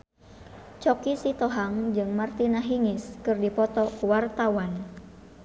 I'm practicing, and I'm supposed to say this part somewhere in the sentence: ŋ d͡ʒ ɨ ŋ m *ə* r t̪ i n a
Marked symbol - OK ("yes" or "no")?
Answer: no